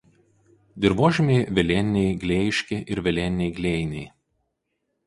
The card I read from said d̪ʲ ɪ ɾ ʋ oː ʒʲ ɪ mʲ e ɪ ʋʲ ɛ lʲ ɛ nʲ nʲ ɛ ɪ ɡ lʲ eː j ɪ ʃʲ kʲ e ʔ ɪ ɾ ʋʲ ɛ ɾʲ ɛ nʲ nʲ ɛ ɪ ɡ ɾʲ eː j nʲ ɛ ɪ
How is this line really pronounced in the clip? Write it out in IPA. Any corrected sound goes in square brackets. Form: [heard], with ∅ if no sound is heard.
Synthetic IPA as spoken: d̪ʲ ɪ ɾ ʋ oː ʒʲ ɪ mʲ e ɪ ʋʲ ɛ lʲ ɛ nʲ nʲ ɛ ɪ ɡ lʲ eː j ɪ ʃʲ kʲ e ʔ ɪ ɾ ʋʲ ɛ [lʲ] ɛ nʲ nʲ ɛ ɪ ɡ [lʲ] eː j nʲ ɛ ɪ